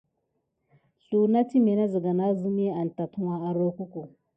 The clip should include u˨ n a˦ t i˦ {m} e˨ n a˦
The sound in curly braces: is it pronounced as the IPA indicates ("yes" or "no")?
yes